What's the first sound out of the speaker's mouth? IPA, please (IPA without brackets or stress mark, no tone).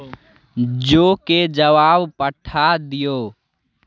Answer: d͡ʒ